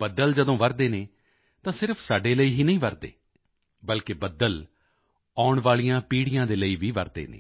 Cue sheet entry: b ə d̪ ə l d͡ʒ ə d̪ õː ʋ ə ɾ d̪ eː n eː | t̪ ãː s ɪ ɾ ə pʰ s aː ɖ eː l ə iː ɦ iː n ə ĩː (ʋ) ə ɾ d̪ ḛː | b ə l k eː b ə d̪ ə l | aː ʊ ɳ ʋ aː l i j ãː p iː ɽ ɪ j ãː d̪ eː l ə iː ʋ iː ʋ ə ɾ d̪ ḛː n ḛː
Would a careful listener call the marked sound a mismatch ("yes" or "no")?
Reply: no